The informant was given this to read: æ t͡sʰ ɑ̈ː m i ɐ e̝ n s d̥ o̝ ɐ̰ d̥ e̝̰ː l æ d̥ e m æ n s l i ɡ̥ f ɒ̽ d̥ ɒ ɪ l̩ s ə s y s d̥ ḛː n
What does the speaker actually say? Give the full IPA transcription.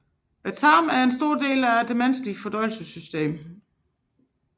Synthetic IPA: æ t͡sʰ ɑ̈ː m æ ɐ e̝ n s d̥ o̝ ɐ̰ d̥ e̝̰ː l æ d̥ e m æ n s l i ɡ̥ f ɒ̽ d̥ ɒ ɪ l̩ s ə s y s d̥ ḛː m

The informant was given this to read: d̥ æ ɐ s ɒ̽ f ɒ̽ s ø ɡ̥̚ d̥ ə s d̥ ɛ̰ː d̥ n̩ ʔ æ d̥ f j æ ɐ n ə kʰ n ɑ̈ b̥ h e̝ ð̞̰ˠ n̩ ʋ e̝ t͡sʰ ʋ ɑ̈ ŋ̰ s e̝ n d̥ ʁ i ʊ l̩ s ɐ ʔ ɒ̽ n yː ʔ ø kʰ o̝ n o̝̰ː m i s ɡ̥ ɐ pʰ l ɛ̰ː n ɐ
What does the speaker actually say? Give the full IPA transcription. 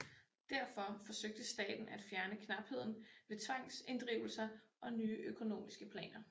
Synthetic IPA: d̥ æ ɐ f ɒ̽ f ɒ̽ s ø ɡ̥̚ d̥ ə s d̥ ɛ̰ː d̥ n̩ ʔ æ d̥ f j æ ɐ n ə kʰ n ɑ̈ b̥ h e̝ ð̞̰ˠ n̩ ʋ e̝ t͡sʰ ʋ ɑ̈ ŋ̰ s e̝ n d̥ ʁ i ʊ l̩ s ɐ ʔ ɒ̽ n yː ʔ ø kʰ o̝ n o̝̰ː m i s ɡ̥ ə pʰ l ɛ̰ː n ɐ

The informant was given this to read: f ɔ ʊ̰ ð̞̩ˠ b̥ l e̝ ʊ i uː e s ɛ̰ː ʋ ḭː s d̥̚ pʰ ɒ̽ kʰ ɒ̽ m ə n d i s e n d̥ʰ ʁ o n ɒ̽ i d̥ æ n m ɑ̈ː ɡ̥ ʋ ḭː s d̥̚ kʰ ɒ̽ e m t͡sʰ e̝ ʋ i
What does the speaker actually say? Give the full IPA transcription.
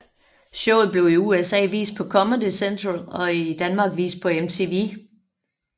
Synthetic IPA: ɕ ɔ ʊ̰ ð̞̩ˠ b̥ l e̝ ʊ i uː e s ɛ̰ː ʋ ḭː s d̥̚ pʰ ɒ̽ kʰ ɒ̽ m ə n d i s e n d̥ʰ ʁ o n ɒ̽ i d̥ æ n m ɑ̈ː ɡ̥ ʋ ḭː s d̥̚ pʰ ɒ̽ e m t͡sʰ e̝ ʋ i

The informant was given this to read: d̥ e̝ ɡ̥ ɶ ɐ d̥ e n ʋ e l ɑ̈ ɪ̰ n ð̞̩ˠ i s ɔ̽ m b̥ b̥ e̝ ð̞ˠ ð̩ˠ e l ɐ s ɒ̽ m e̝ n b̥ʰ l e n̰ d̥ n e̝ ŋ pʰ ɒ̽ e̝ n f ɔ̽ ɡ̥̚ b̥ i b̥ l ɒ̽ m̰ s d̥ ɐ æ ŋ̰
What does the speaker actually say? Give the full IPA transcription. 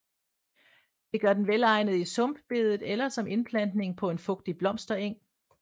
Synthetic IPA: d̥ e̝ ɡ̥ ɶ ɐ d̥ e n ʋ e l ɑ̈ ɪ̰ n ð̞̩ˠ i s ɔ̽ m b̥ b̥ e̝ ð̞ˠ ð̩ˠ e l ɐ s ɒ̽ m e̝ n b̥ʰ l æ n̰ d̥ n e̝ ŋ pʰ ɒ̽ e̝ n f ɔ̽ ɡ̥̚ d̥ i b̥ l ɒ̽ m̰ s d̥ ɐ e ŋ̰

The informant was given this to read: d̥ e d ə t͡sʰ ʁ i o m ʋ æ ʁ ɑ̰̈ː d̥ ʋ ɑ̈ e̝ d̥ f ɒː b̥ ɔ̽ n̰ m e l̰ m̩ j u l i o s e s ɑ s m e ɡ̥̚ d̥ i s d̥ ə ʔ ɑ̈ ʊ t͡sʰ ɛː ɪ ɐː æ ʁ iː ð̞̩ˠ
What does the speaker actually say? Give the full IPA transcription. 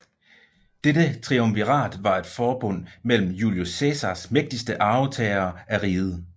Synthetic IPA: d̥ e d ə t͡sʰ ʁ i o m ʋ i ʁ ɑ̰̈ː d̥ ʋ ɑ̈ e̝ d̥ f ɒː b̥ ɔ̽ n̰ m e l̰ m̩ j u l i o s e s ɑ s m e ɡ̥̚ d̥ i s d̥ ə ʔ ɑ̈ ʊ t͡sʰ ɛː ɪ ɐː æ ʁ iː ð̞̩ˠ

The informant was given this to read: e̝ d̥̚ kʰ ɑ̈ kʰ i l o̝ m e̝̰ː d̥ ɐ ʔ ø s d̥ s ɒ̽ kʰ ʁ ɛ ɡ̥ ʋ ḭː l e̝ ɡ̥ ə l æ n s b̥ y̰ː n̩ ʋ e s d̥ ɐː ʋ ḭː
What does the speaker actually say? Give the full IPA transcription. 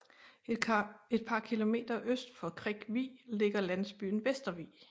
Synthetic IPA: e̝ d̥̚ pʰ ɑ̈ kʰ i l o̝ m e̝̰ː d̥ ɐ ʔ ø s d̥ f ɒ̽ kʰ ʁ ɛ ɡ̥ ʋ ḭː l e̝ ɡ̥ ɐ l æ n s b̥ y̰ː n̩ ʋ e s d̥ ɐ ʋ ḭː

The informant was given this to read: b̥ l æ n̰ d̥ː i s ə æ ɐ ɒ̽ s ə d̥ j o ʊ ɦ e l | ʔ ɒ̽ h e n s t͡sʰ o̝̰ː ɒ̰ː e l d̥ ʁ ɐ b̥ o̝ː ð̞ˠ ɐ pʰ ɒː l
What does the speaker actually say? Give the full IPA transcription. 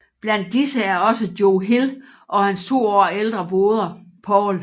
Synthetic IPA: b̥ l æ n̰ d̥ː i s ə æ ɐ ɒ̽ s ə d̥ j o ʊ ɦ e l | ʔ ɒ̽ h æ n s t͡sʰ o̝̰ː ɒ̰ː e l d̥ ʁ ɐ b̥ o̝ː ð̞ˠ ɐ pʰ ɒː l

